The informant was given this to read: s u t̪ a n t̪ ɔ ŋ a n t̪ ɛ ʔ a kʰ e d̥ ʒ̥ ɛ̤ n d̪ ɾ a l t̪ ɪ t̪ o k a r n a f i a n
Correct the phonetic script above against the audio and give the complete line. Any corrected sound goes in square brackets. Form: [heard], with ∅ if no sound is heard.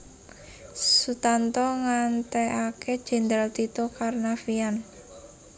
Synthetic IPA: s u t̪ a n t̪ ɔ ŋ a n t̪ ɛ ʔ a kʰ e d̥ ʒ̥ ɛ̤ n d̪ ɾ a l t̪ [i] t̪ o k a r n a f i a n